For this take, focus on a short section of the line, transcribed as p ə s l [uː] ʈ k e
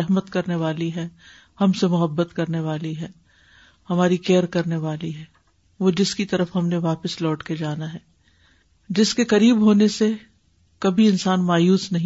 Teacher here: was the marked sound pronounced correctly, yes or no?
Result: no